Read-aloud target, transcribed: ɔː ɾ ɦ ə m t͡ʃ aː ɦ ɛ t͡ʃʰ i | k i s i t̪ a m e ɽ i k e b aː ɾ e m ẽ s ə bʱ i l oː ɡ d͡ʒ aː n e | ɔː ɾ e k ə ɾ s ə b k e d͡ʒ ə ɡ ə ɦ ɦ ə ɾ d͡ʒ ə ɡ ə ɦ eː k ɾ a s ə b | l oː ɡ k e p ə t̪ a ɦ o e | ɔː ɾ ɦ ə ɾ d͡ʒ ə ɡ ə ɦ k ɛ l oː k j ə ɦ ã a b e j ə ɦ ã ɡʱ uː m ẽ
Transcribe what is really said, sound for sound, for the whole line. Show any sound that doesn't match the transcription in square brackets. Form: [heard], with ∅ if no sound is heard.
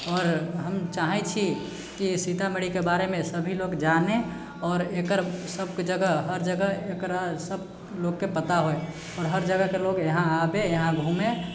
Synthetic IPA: ɔː ɾ ɦ ə m t͡ʃ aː ɦ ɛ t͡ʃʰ i | k i s i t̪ a m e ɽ i k e b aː ɾ e m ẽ s ə bʱ i l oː ɡ d͡ʒ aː n e | ɔː ɾ e k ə ɾ s ə b k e d͡ʒ ə ɡ ə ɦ ɦ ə ɾ d͡ʒ ə ɡ ə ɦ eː k ɾ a s ə b | l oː ɡ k e p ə t̪ a ɦ o e | ɔː ɾ ɦ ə ɾ d͡ʒ ə ɡ ə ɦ k [e] l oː [ɡ] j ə ɦ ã a b e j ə ɦ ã ɡʱ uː m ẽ